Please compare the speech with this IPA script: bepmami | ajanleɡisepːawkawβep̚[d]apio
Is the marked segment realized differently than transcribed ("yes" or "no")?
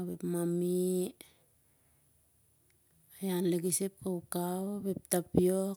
yes